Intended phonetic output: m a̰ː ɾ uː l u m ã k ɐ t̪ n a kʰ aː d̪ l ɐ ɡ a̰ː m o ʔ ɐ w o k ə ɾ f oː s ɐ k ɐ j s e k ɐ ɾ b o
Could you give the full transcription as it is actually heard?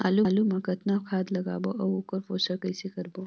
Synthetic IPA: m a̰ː l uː l u m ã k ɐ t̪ n a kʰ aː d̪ l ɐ ɡ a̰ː b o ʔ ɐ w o k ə ɾ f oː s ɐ k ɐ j s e k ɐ ɾ b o

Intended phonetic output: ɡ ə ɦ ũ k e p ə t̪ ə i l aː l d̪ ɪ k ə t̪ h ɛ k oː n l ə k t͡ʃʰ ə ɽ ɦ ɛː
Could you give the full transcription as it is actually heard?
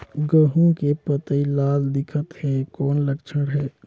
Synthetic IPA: ɡ ə ɦ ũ k e p ə t̪ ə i l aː l d̪ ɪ kʰ ə t̪ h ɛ k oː n l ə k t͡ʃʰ ə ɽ ɦ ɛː

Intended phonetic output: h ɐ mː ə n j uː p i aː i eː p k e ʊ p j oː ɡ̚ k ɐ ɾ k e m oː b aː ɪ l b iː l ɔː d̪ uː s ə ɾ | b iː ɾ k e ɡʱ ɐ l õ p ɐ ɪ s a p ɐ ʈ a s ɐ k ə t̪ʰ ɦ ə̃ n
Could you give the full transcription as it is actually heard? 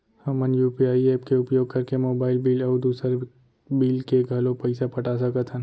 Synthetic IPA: h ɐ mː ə n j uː p i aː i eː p k e ʊ p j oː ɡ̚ k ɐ ɾ k e m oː b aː ɪ l b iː l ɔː d̪ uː s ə ɾ | b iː l k e ɡʱ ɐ l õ p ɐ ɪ s a p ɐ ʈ a s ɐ k ə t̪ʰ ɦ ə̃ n

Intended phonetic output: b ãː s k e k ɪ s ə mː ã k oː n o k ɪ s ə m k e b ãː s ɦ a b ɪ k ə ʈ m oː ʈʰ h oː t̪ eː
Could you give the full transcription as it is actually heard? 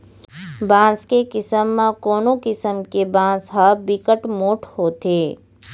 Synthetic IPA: b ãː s k e k ɪ s ə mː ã k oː n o k ɪ s ə m k e b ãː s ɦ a b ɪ k ə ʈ m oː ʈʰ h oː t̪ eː

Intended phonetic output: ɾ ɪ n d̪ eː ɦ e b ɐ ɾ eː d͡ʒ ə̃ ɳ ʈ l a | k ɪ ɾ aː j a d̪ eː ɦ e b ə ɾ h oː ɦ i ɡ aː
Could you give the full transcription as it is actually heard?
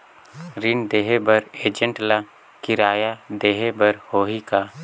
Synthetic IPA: ɾ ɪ n d̪ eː ɦ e b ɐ ɾ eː d͡ʒ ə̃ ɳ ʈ l a | k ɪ ɾ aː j a d̪ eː ɦ e b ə ɾ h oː ɦ i k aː

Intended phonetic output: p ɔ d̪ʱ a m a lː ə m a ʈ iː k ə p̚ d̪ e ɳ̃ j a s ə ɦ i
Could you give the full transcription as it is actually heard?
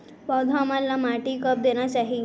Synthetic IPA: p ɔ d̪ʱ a m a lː a m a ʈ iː k ə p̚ d̪ e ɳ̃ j a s a ɦ i

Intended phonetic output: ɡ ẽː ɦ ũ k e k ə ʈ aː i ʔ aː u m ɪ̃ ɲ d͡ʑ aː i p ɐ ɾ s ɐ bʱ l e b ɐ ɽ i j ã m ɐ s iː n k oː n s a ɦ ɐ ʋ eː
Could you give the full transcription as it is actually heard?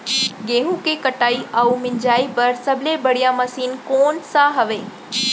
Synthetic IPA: ɡ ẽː ɦ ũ k e k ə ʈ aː i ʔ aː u m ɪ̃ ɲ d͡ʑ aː i p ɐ ɾ s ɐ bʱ l e b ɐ ɽ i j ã m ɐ s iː n k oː n s a ɦ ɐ ʋ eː

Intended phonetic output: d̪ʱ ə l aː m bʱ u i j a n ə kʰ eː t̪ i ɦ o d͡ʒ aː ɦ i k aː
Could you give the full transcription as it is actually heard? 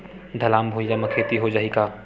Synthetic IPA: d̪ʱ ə l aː m bʱ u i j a m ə kʰ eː t̪ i ɦ o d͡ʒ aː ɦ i k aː

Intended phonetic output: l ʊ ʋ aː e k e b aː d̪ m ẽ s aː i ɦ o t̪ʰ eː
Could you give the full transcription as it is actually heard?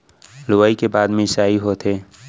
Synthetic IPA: l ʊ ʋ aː i k e b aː d̪ m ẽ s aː i ɦ o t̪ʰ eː

